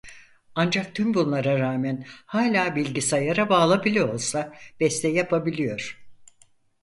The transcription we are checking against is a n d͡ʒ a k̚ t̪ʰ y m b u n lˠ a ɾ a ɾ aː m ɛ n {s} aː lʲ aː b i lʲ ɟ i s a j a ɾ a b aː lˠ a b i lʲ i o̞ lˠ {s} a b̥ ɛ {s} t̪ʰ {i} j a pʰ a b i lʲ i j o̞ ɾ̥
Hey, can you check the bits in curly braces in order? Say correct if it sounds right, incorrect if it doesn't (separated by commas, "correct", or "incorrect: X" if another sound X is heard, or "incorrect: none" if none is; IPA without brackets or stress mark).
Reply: incorrect: h, correct, correct, incorrect: ɛ